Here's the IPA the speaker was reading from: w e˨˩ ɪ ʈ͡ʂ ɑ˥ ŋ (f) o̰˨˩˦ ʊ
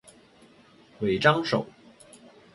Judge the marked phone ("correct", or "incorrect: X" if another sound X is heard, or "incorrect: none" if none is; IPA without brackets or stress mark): incorrect: ʂ